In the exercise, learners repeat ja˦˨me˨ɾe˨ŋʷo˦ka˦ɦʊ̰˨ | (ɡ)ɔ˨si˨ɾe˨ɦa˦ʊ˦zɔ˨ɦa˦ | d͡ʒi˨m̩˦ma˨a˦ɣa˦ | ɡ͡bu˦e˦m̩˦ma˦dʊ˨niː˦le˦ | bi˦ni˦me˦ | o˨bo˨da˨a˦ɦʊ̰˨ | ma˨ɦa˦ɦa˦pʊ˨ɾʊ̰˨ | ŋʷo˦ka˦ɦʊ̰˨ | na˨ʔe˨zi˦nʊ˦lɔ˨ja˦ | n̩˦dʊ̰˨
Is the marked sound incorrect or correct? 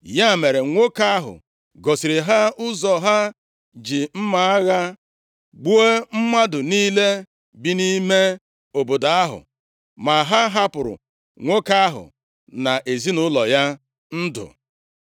correct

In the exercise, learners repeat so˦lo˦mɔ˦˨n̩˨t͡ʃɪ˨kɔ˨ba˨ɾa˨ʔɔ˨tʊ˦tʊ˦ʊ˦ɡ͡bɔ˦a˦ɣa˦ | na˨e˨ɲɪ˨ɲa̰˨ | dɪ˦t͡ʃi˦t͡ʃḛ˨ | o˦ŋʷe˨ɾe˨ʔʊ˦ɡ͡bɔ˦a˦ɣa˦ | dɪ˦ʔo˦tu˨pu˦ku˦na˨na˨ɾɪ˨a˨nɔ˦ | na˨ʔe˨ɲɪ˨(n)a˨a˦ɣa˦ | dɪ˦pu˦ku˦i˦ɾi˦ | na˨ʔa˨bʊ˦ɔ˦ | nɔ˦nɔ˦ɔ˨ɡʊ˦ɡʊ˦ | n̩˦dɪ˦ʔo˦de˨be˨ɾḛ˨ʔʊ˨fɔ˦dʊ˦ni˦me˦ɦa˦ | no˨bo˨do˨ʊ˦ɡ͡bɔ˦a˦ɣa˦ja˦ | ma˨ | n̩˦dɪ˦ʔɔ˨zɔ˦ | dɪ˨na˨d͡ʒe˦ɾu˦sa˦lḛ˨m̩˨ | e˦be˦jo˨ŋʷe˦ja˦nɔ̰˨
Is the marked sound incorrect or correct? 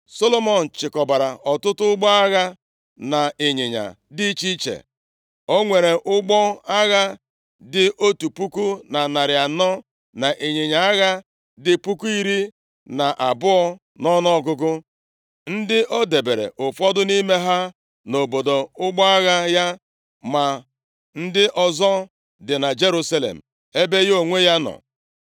incorrect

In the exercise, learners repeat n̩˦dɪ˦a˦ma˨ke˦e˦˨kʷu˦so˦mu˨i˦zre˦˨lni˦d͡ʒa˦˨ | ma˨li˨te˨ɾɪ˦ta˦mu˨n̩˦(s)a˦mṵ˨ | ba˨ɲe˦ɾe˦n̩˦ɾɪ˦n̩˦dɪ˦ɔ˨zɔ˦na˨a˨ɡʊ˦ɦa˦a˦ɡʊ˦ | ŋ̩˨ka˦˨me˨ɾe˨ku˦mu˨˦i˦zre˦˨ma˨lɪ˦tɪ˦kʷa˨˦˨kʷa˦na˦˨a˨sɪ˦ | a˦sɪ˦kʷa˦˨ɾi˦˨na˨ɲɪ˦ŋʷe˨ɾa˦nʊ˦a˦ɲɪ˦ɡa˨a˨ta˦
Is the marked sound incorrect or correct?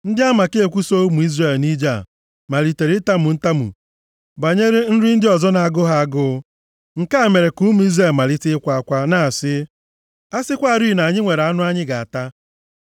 incorrect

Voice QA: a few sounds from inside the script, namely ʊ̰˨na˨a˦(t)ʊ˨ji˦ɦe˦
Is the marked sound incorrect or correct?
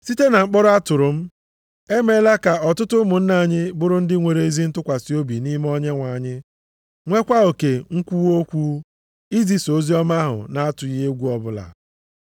correct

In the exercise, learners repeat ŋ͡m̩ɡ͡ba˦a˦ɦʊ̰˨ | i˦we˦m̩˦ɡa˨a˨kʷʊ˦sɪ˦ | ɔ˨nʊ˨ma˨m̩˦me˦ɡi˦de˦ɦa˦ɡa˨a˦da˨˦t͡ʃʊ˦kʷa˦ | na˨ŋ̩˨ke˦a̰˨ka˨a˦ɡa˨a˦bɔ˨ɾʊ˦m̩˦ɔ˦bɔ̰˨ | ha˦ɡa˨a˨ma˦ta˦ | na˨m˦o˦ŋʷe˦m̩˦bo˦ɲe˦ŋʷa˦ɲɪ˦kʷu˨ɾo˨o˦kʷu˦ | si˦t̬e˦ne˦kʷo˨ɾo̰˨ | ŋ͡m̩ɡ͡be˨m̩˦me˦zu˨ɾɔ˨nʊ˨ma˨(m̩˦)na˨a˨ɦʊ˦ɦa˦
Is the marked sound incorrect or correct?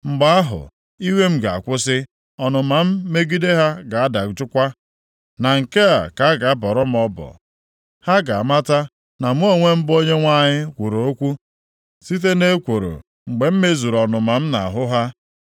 correct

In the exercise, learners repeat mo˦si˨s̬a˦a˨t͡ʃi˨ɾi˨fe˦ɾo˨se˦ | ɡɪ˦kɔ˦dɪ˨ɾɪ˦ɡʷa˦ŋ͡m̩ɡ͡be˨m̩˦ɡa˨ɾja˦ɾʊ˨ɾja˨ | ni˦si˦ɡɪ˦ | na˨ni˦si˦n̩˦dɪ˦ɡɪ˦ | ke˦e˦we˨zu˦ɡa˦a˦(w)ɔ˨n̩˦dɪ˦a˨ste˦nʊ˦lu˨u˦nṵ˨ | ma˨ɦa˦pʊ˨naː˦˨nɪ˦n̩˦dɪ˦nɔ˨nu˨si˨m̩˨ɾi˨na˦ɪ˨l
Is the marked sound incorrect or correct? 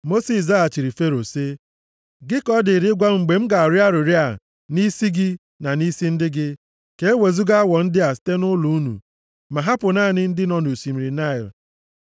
correct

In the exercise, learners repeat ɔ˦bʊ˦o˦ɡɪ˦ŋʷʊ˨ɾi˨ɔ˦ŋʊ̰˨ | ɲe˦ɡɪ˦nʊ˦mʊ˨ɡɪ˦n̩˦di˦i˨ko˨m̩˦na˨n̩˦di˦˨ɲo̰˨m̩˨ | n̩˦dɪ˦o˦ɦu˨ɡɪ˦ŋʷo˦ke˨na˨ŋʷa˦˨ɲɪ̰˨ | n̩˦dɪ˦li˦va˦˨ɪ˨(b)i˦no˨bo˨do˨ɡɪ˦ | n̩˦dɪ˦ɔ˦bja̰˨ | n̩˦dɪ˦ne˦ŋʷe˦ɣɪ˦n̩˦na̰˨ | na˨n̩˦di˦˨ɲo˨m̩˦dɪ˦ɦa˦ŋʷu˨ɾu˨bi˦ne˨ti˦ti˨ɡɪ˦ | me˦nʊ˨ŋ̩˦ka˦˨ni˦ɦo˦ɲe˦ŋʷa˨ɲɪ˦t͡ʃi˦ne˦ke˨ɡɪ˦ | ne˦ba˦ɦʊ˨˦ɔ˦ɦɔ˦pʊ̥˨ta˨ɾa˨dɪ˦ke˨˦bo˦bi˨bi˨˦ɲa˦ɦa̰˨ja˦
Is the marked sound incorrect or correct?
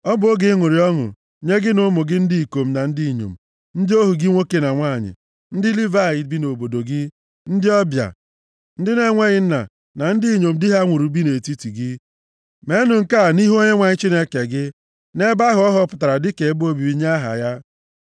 correct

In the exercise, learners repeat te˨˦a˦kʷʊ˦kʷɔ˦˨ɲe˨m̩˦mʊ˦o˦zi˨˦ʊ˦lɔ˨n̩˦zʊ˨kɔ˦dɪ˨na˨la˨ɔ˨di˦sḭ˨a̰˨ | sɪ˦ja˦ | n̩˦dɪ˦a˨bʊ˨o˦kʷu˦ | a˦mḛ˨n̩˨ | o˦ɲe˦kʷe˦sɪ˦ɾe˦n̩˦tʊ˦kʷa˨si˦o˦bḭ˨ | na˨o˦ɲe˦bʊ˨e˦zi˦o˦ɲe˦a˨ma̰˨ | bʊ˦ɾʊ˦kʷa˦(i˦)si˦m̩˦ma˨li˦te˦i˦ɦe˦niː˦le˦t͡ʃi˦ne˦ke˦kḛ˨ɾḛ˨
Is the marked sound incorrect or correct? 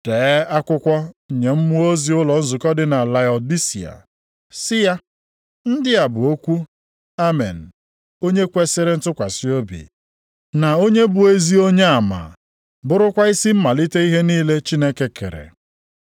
correct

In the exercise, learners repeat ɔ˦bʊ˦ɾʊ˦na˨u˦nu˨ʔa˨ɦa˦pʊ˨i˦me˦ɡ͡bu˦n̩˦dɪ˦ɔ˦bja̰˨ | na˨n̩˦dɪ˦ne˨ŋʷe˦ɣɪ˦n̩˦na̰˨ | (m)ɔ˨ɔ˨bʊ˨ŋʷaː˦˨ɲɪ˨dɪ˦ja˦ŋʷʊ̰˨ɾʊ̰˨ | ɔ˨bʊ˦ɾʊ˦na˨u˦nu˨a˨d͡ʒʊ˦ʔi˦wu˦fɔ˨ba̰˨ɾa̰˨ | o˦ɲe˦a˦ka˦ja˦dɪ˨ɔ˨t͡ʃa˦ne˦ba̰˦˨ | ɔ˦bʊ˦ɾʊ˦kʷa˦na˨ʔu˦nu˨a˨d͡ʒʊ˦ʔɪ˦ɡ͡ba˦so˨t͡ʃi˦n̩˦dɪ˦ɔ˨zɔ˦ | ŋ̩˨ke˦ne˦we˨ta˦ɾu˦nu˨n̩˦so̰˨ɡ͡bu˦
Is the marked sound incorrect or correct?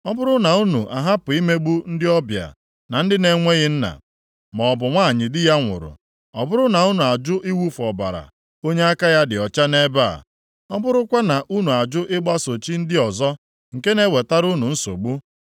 correct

